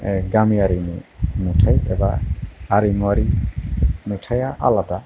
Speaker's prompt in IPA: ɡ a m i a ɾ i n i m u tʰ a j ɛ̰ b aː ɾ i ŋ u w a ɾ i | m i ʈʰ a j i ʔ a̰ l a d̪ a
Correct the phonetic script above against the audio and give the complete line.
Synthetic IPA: ɡ a m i a ɾ i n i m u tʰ a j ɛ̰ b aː ɾ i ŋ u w a ɾ i | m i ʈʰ a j a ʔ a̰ l a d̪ a